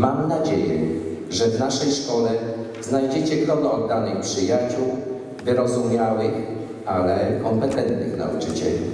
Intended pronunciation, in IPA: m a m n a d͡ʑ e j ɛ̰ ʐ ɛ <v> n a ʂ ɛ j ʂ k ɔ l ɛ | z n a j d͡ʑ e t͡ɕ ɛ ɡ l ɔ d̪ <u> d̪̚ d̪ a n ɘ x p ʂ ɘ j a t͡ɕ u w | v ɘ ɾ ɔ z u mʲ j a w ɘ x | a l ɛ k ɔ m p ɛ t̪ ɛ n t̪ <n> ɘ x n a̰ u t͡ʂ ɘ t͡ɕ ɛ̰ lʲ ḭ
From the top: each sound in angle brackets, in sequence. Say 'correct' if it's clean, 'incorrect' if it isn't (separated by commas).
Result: correct, incorrect, correct